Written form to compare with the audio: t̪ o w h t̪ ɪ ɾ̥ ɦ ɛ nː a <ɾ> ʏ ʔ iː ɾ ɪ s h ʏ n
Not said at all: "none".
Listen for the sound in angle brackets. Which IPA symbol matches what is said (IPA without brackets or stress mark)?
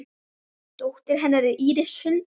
ɾ